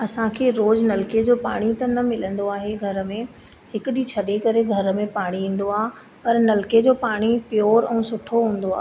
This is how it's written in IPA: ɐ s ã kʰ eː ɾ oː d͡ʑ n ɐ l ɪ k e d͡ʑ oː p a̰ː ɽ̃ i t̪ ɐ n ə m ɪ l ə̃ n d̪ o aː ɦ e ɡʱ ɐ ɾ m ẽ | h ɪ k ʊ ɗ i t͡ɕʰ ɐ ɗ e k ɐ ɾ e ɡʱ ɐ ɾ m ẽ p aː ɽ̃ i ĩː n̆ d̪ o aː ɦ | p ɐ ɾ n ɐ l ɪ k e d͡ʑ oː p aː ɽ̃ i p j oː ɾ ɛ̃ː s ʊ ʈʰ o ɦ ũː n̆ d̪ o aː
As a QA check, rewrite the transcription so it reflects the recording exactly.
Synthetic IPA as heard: ɐ s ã kʰ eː ɾ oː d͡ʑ n ɐ l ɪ k e d͡ʑ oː p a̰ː ɽ̃ i t̪ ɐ n ɐ m ɪ l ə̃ n d̪ o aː ɦ e ɡʱ ɐ ɾ m ẽ | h ɪ k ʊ ɗ i t͡ɕʰ ɐ ɗ e k ɐ ɾ e ɡʱ ɐ ɾ m ẽ p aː ɽ̃ i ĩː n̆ d̪ o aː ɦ | p ɐ ɾ n ɐ l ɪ k e d͡ʑ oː p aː ɽ̃ i p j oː ɾ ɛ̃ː s ʊ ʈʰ o ɦ ũː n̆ d̪ o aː